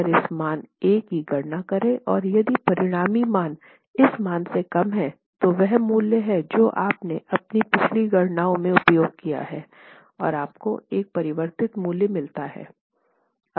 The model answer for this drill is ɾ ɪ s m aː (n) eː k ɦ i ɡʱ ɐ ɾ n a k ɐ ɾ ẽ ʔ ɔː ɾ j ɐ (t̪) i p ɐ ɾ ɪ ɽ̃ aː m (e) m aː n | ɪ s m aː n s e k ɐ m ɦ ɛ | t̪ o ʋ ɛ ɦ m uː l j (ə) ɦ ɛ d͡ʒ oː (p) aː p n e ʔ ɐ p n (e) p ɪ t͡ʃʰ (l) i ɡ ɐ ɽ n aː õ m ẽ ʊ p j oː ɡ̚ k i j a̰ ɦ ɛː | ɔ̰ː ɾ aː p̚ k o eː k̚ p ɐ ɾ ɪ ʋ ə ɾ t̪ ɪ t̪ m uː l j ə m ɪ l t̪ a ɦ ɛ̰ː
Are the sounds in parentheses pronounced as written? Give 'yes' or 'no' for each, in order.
yes, no, no, yes, no, no, yes

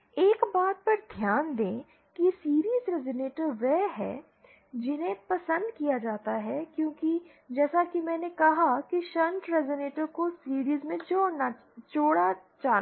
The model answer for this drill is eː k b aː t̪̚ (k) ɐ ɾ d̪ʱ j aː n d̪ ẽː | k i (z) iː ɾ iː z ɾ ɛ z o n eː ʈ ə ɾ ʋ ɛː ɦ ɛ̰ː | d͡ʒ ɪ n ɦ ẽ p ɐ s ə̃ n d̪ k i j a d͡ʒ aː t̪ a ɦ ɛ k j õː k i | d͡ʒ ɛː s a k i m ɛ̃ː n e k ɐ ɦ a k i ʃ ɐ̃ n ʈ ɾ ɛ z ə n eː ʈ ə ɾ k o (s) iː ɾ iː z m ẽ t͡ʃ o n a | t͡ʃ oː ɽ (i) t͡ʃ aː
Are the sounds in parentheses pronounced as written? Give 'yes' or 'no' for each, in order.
no, no, yes, no

